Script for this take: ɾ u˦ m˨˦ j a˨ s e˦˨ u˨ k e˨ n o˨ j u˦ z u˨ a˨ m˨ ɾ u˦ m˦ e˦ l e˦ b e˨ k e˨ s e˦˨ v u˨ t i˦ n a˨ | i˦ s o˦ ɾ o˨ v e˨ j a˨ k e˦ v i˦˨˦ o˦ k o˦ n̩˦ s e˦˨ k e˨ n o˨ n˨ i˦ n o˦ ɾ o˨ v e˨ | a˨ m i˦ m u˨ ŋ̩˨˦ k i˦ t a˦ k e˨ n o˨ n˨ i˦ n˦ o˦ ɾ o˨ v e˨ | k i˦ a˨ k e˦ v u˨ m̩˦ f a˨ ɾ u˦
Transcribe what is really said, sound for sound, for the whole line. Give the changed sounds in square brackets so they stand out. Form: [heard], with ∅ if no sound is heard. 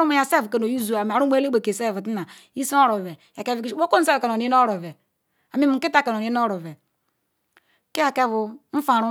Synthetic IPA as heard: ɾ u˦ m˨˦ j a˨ s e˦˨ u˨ k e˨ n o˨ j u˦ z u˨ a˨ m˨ ɾ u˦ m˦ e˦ l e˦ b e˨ k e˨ s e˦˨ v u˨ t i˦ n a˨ | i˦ s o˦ ɾ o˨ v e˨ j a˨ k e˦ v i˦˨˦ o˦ k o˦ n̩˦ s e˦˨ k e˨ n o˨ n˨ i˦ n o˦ ɾ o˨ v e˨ | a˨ m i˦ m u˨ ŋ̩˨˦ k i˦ t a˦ k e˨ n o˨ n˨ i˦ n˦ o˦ ɾ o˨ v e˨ | k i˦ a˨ k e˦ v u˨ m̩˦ f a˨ ɾ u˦